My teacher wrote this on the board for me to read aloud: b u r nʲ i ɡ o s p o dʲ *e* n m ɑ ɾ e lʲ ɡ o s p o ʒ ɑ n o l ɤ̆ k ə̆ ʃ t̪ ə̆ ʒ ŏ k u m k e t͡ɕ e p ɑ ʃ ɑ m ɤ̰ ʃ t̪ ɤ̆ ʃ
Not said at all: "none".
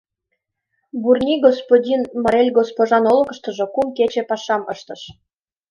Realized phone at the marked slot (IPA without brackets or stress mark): i